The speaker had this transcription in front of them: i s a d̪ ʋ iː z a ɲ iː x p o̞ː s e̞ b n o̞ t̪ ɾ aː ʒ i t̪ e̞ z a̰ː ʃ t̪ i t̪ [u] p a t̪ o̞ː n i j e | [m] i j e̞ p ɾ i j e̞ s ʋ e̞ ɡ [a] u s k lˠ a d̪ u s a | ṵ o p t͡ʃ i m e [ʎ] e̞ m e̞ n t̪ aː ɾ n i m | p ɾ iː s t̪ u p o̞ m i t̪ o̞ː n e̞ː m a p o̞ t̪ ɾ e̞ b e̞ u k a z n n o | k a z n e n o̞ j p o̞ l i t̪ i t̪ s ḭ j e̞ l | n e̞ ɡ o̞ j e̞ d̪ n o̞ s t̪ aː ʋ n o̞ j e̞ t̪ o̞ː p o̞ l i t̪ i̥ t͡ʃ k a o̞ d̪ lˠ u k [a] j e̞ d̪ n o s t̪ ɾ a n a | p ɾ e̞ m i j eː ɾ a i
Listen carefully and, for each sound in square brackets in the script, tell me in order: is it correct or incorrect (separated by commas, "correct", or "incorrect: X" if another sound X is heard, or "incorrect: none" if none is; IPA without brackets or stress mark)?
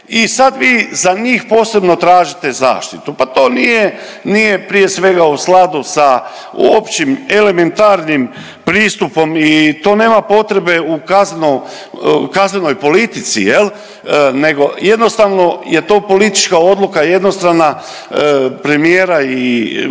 correct, incorrect: n, correct, incorrect: l, correct